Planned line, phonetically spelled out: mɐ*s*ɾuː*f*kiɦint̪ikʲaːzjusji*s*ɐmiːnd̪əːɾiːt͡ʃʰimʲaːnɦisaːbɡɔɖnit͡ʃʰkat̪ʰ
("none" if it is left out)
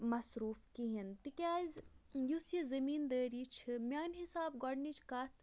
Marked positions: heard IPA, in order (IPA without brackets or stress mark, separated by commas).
s, f, z